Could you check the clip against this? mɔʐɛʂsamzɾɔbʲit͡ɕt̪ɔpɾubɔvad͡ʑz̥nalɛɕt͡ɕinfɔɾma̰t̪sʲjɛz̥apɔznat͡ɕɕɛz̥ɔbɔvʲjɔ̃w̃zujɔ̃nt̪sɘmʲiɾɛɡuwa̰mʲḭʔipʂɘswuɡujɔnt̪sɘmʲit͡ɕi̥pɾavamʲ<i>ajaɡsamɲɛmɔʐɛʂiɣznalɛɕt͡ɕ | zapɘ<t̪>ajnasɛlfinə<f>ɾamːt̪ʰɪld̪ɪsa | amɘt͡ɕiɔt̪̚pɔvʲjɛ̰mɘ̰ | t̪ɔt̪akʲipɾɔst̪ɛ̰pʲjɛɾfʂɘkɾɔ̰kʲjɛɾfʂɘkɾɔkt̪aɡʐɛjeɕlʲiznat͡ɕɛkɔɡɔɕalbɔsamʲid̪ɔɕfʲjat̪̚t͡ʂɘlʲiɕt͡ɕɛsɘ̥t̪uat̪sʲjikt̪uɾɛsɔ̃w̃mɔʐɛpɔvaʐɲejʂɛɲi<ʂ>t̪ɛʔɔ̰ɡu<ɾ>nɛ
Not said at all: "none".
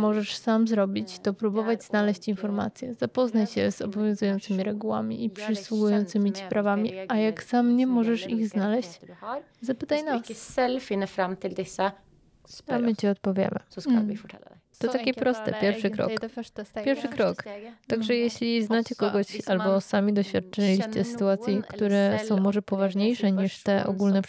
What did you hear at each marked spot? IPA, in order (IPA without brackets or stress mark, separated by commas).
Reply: i, t̪, f, ʂ, l